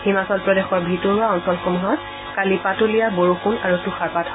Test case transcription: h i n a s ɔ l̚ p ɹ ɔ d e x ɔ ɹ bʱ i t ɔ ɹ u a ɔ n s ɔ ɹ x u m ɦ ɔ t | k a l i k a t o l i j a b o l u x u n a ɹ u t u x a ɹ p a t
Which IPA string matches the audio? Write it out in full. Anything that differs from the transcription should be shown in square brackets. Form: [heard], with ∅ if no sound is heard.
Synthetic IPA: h i [m] a s ɔ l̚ p ɹ ɔ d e x ɔ ɹ bʱ i t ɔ ɹ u a ɔ n s ɔ [l] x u m ɦ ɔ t | k a l i [p] a t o l i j a b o [ɹ] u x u n a ɹ u t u x a ɹ p a t